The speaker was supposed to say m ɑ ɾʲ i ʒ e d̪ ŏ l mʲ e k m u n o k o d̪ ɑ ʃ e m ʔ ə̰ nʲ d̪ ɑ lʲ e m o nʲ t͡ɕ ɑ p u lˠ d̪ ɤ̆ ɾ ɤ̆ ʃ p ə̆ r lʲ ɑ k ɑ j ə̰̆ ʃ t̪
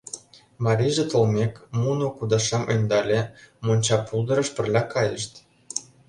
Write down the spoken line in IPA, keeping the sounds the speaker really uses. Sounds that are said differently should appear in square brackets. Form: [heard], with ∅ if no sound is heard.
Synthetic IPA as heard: m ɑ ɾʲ i ʒ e [t̪] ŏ l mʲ e k m u n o k [u] d̪ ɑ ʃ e m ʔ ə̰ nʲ d̪ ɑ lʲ e m o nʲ t͡ɕ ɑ p u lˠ d̪ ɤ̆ ɾ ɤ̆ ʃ p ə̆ r lʲ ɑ k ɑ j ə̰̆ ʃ t̪